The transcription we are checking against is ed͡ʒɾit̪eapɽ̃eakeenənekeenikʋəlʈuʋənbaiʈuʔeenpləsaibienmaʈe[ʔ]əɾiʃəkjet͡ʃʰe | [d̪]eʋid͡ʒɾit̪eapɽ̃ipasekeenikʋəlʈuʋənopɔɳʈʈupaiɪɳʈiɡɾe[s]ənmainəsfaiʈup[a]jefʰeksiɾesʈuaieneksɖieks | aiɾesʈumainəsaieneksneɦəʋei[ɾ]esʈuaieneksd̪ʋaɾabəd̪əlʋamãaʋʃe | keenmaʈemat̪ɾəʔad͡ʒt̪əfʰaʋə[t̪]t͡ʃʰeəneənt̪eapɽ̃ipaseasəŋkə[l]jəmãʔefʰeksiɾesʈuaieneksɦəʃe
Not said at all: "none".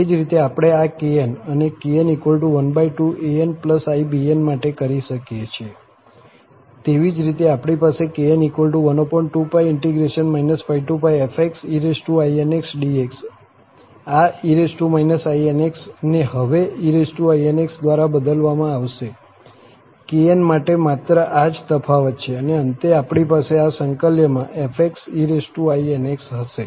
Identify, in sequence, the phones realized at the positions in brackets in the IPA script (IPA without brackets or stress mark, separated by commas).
k, t̪, ʃ, a, ɾ, t̪, l